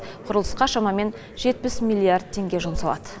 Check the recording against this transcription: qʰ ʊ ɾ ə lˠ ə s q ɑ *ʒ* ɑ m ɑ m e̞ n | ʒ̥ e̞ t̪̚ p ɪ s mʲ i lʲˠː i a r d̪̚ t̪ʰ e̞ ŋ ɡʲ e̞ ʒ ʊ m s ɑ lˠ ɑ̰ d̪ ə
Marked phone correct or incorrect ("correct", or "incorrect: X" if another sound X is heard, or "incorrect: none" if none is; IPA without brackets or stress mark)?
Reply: incorrect: ʃ